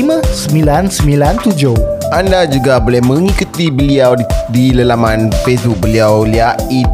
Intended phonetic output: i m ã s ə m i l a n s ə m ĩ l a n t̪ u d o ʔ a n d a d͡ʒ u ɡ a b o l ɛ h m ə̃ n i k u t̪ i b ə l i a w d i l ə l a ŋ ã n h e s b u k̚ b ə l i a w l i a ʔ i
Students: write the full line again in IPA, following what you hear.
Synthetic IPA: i m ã s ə m i l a n s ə m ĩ l a n t̪ u d͡ʒ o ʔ a n d a d͡ʒ u ɡ a b o l ɛ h m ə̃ ŋ i k u t̪ i b ə l i a w d i l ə l a m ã n f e s b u k̚ b ə l i a w l i a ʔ i